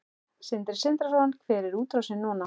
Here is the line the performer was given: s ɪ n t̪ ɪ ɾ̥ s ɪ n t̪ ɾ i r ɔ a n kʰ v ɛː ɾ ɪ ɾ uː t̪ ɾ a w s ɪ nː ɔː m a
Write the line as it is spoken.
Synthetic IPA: s ɪ n t̪ ɪ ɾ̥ s ɪ n t̪ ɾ a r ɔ a n kʰ v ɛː ɾ ɪ ɾ uː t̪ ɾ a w s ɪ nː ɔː n a